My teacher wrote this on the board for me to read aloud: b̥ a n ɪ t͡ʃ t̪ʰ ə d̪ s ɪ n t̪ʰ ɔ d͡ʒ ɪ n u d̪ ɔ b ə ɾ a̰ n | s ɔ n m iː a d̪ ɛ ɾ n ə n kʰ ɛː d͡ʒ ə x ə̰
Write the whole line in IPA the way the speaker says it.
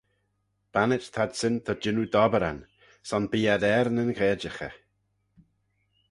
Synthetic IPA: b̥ a n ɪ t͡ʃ t̪ʰ a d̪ s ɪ n t̪ʰ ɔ d͡ʒ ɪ n u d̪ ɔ b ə ɾ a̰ n | s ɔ n b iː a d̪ ɛ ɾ n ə n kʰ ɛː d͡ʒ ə x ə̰

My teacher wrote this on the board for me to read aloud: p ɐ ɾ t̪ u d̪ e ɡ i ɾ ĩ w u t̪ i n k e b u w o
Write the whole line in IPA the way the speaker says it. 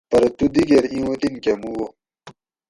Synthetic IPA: p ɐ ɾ t̪ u d̪ i ɡ e ɾ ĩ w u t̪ i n k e m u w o

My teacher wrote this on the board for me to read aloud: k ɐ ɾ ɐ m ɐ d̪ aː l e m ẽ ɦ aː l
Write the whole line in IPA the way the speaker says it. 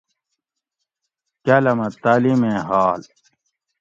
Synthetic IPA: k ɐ l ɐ m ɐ t̪ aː l i m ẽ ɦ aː l

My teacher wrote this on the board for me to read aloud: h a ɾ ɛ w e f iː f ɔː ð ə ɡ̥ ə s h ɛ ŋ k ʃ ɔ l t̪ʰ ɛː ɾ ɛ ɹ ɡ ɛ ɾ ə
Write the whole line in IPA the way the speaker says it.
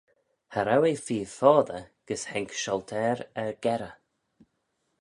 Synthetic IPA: h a ɾ a w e f iː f ɔː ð ə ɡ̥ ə s h ɛ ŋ k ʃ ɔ l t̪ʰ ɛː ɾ ɛ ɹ ɡ ɛ ɾ ə

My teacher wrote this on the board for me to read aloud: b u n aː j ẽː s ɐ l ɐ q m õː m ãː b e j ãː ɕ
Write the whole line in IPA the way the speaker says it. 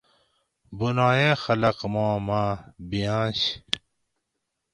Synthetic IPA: b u n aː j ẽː x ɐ l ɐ q m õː m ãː b i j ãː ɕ

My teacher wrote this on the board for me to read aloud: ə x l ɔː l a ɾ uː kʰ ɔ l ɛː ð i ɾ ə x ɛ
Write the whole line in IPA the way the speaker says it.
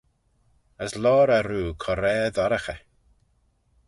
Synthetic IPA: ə s l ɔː ɾ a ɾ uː kʰ ɔ ɾ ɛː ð a ɾ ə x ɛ

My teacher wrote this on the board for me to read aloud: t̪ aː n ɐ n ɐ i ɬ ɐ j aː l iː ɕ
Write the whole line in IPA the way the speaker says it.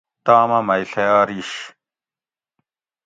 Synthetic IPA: t̪ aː m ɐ m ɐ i ɬ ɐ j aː ɾ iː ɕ

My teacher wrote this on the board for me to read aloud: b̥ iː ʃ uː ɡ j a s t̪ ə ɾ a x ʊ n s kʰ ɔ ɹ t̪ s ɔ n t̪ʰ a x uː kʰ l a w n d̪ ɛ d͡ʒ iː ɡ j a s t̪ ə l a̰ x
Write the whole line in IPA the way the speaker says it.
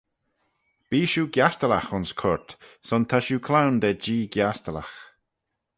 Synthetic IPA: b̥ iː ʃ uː ɡ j a s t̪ ə l a x ʊ n s kʰ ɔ ɹ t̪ s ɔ n t̪ʰ a ʃ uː kʰ l a w n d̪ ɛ d͡ʒ iː ɡ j a s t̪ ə l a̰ x

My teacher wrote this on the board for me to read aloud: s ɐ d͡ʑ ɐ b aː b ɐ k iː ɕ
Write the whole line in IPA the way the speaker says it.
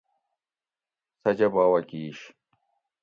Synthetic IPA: s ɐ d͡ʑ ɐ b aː w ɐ k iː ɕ

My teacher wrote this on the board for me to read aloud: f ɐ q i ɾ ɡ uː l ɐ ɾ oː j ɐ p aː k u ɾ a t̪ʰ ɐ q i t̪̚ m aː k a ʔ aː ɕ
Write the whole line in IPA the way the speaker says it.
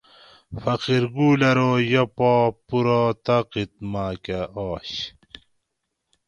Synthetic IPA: f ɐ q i ɾ ɡ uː l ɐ ɾ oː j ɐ p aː p u ɾ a t̪ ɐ q i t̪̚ m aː k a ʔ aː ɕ

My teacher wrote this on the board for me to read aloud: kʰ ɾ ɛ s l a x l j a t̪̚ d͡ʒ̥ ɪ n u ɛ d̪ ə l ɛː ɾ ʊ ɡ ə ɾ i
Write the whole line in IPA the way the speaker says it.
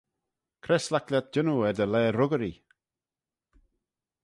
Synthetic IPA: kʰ ɾ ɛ s l a k l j a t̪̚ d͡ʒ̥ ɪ n u ɛ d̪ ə l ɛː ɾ ʊ ɡ ə ɾ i

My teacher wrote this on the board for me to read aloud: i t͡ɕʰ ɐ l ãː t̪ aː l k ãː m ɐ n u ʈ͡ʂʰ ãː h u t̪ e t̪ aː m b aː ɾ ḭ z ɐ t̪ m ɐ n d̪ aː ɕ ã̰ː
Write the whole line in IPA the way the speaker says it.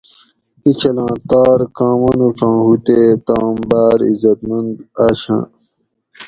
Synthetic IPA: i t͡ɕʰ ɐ l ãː t̪ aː ɾ k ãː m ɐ n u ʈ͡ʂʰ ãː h u t̪ e t̪ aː m b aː ɾ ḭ z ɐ t̪ m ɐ n d̪ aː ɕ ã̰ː

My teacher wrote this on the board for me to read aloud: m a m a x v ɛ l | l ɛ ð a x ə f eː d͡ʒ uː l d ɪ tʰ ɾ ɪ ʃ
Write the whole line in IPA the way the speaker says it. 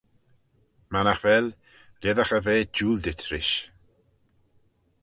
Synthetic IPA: m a n a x v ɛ l | l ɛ ð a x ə v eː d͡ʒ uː l d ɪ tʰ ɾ ɪ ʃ

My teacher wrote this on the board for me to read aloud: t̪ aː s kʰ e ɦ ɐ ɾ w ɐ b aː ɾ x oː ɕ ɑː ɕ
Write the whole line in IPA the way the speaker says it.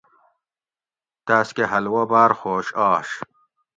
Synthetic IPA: t̪ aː s k e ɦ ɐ l w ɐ b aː ɾ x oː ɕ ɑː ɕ

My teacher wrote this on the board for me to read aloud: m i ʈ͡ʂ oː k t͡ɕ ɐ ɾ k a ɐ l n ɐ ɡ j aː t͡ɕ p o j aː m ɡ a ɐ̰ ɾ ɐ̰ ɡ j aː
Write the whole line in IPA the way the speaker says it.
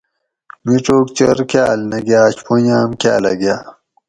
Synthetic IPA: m i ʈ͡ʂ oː k t͡ɕ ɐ ɾ k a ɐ l n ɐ ɡ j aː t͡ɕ p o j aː m k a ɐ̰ l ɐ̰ ɡ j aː

